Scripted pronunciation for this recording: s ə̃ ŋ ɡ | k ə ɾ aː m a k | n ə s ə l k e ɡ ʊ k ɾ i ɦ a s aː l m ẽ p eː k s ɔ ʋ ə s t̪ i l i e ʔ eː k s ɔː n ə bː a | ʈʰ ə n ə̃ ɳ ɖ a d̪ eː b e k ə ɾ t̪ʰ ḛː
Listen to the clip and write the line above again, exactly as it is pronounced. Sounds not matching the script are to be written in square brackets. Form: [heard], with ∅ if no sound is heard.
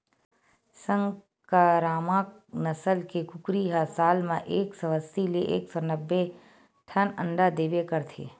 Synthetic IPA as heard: s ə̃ ŋ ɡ | k [a] ɾ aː m a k | n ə s ə l k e [k] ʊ k ɾ i ɦ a s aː l m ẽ [ʔ] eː k s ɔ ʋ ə s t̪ i l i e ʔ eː k s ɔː n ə bː [e] | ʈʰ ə n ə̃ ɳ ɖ a d̪ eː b e k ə ɾ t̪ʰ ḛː